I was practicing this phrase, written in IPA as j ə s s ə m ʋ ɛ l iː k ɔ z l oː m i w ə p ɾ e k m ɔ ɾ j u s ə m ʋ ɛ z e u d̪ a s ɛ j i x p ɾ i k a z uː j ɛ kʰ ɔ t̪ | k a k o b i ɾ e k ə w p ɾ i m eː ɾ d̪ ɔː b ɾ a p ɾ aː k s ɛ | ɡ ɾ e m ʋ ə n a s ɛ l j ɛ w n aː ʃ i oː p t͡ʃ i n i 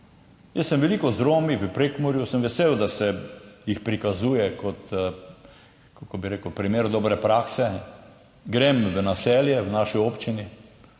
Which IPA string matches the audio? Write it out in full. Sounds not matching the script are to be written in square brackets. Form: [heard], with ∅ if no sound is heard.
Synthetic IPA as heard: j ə s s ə m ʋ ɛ l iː k ɔ z [ɾ] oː m i [ʋ] ə p ɾ e k m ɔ ɾ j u s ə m ʋ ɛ [s] e [w] d̪ a s ɛ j i x p ɾ i k a z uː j ɛ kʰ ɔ t̪ | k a k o b i ɾ e k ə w p ɾ i m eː ɾ d̪ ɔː b ɾ [ɛ] p ɾ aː k s ɛ | ɡ ɾ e m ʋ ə n a s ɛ l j ɛ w n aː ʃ i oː p t͡ʃ i n i